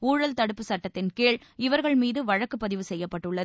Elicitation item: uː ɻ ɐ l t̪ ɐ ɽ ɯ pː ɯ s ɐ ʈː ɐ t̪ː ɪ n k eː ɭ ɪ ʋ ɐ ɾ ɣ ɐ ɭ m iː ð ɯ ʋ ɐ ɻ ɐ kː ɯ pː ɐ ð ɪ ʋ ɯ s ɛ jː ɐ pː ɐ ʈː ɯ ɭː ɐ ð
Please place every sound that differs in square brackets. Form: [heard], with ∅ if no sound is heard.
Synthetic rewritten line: uː ɻ ɐ l t̪ ɐ ɽ ɯ pː ɯ s ɐ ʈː ɐ t̪ː ɪ n k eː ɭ ɪ ʋ ɐ ɾ ɣ ɐ ɭ m iː ð ɯ ʋ ɐ ɻ ɐ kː ɯ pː ɐ ð ɪ ʋ ɯ s ɛ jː ɐ pː ɐ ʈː ɯ ɭː ɐ ð